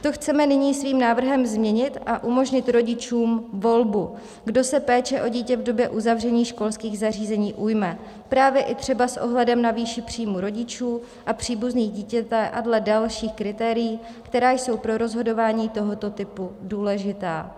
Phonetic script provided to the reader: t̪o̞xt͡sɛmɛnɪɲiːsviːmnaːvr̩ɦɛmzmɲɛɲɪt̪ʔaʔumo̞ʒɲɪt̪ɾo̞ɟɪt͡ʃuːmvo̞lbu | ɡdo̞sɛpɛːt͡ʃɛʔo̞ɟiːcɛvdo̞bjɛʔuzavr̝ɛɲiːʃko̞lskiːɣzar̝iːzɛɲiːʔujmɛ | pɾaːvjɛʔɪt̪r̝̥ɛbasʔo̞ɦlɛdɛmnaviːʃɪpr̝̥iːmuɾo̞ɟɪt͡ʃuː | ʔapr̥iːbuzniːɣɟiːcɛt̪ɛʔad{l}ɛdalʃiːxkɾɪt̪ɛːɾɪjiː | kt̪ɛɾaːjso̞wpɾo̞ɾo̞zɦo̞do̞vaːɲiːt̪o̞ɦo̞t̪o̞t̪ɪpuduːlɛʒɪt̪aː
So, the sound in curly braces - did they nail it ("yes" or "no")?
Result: yes